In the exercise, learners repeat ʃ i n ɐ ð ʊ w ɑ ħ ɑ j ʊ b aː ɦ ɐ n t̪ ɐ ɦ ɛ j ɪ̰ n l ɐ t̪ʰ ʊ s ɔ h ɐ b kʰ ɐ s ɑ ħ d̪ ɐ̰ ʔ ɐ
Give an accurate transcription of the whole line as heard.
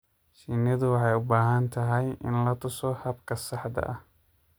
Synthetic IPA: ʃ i n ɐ ð ʊ w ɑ ħ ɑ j ʊ b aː ɦ ɐ n t̪ʰ ɐ ɦ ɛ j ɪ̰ n l ɐ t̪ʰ ʊ s ɔ h ɐ b kʰ ɐ s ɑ ħ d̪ ɐ̰ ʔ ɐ

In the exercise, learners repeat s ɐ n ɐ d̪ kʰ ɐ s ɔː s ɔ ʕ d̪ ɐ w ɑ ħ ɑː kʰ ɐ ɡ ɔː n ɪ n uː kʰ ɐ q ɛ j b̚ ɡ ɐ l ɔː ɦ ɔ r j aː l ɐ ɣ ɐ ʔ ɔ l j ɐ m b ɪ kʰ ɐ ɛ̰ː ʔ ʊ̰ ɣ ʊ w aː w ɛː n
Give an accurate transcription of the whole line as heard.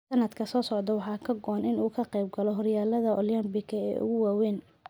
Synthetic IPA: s ɐ n ɐ d̪ kʰ ɐ s ɔː s ɔ ʕ d̪ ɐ w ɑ ħ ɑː kʰ ɐ ɡ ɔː n ɪ n uː kʰ ɐ q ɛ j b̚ ɡ ɐ l ɔ ɦ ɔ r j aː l ɐ ð ɐ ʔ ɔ l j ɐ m b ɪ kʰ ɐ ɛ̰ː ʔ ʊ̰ ɣ ʊ w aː w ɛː n

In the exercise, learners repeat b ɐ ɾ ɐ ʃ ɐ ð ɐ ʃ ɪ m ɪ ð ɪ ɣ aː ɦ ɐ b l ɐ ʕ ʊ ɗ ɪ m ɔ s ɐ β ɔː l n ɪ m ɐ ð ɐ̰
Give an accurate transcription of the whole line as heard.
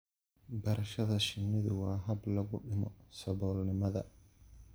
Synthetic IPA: b ɐ ɾ ɐ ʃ ɐ ð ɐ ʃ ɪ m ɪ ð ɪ w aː ɦ ɐ b l ɐ ɣ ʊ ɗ ɪ m ɔ s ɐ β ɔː l n ɪ m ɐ ð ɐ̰

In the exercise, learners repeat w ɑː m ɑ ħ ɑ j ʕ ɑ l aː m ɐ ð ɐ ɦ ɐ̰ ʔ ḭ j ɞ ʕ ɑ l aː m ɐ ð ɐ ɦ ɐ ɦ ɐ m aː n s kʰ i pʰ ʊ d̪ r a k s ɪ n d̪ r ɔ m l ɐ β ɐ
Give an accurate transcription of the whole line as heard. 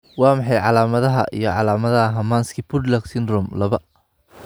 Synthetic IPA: w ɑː m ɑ ħ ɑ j ʕ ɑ l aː m ɐ ð ɐ ɦ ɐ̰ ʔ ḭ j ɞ ʕ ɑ l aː m ɐ ð ɐ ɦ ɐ ɦ ɐ m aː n s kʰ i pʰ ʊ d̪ l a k s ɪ n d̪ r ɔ m l ɐ β ɐ

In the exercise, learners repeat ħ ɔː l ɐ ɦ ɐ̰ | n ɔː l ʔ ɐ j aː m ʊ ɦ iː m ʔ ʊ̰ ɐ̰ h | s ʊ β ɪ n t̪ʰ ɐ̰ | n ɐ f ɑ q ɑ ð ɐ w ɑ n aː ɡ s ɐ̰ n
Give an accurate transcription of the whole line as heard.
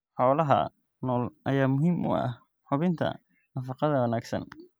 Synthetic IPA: ħ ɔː l ɐ ɦ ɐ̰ | n ɔː l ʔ ɐ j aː m ʊ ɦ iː m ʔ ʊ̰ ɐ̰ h | ħ ʊ β ɪ n t̪ʰ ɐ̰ | n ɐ f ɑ q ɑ ð ɐ w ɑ n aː ɡ s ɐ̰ n

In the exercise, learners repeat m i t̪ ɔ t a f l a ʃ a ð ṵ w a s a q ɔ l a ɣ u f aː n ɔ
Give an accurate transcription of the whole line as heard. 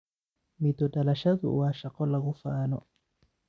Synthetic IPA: m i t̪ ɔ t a l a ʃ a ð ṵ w a ʃ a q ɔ l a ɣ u f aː n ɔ

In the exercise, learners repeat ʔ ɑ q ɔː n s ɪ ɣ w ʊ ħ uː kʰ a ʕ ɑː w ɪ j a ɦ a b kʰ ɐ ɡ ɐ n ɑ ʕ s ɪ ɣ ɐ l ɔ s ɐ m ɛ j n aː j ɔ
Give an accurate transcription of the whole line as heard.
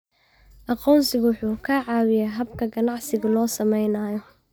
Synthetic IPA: ʔ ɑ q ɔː n s ɪ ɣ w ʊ ħ uː kʰ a ʕ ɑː w ɪ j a ɦ ɐ b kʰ ɐ ɡ ɐ n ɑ ʕ s ɪ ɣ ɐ l ɔː s ɐ m ɛ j n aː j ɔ

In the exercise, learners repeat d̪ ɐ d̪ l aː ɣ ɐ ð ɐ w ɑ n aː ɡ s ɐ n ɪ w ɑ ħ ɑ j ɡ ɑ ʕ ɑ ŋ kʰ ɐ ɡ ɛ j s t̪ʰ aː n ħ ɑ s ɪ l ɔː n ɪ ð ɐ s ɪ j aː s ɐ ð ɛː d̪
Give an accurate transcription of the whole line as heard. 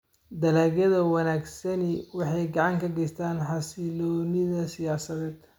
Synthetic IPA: d̪ ɐ l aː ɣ ɐ ð ɐ w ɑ n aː ɡ s ɐ n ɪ w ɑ ħ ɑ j ɡ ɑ ʕ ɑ ŋ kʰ ɐ ɡ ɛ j s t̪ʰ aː n ħ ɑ s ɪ l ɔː n ɪ ð ɐ s ɪ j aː s ɐ ð ɛː d̪

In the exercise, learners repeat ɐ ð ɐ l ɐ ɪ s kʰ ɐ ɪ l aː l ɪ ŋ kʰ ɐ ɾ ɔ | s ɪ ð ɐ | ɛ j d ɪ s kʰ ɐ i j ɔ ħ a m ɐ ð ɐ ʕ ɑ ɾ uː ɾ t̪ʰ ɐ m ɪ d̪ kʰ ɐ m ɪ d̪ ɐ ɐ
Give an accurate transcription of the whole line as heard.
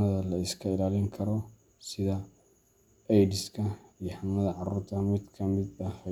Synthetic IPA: ɐ ð ɐ l ɐ ɪ s kʰ ɐ ɪ l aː l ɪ ŋ kʰ ɐ ɾ ɔ | s ɪ ð ɐ | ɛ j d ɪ s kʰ ɐ i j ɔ ħ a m ɐ ð ɐ ʕ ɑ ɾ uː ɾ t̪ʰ ɐ m ɪ d̪ kʰ ɐ m ɪ d̪ ɐ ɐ

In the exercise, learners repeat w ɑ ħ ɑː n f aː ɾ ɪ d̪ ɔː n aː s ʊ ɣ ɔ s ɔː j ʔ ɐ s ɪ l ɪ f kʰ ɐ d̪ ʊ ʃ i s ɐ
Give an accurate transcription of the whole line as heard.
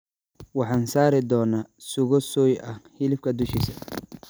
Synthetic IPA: w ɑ ħ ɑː n s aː ɾ ɪ d̪ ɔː n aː s ʊ ɣ ɔ s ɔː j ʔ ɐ h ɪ l ɪ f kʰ ɐ d̪ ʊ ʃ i s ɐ

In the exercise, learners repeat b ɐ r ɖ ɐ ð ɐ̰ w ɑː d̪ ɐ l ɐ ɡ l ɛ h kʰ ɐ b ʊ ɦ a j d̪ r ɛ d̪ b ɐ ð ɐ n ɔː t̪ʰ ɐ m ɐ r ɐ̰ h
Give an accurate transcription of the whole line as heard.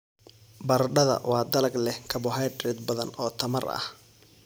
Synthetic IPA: b ɐ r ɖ ɐ ð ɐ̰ w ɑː d̪ ɐ l ɐ ɡ l ɛ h kʰ ɐ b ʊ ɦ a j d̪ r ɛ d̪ b ɐ ð ɐ n ɔː t̪ʰ ɐ m ɐ r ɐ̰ h

